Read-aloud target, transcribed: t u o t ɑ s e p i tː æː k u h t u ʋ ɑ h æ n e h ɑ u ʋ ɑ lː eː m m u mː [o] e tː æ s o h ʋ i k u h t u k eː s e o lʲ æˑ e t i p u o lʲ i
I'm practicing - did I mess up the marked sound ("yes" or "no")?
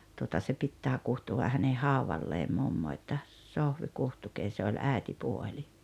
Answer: no